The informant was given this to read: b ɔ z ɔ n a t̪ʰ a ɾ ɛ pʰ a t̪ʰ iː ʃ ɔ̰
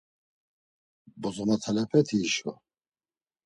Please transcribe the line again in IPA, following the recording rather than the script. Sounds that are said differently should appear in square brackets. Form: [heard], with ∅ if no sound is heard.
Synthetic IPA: b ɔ z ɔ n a t̪ʰ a [l] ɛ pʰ [ɛ] t̪ʰ iː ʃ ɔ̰